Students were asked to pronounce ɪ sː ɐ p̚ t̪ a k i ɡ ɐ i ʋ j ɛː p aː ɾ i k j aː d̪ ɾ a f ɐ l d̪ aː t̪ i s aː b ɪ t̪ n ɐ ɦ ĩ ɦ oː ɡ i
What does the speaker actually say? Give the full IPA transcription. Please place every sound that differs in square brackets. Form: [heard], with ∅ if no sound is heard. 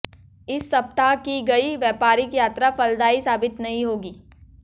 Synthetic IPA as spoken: ɪ sː ɐ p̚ t̪ a k i ɡ ɐ i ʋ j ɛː p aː ɾ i k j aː [t̪] ɾ a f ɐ l d̪ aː [∅] i s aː b ɪ t̪ n ɐ ɦ ĩ ɦ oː ɡ [iː]